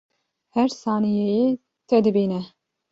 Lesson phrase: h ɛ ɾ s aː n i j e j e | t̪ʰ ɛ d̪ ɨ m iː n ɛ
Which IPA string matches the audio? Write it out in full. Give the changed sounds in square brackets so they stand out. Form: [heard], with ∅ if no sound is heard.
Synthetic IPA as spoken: h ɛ ɾ s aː n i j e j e | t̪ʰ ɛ d̪ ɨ [b] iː n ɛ